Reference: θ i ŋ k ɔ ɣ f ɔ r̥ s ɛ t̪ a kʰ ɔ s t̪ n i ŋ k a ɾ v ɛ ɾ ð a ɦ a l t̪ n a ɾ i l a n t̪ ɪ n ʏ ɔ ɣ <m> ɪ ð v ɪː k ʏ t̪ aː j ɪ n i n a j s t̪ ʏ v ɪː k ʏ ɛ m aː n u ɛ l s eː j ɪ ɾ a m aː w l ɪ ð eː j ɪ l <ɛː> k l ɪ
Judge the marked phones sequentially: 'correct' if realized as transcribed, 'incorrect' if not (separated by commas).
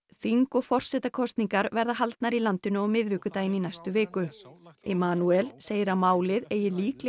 correct, incorrect